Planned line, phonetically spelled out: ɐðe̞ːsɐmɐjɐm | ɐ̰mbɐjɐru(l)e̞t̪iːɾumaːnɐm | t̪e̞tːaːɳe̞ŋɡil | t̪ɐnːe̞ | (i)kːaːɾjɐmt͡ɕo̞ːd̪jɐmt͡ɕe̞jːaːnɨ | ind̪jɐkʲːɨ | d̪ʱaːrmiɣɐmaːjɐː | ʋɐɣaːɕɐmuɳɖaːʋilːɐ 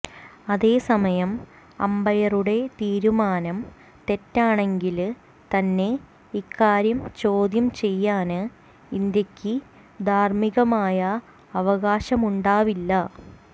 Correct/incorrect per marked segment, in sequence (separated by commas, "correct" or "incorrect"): incorrect, correct